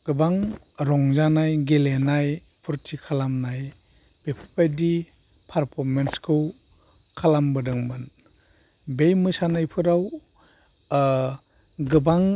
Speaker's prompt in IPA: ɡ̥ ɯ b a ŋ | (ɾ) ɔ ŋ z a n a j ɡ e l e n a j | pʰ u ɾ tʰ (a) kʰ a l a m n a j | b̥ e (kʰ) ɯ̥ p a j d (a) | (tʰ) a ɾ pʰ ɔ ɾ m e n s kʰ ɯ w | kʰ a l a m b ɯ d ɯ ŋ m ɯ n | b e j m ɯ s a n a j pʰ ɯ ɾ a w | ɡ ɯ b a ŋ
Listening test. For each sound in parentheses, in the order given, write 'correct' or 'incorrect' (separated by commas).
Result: correct, incorrect, incorrect, incorrect, incorrect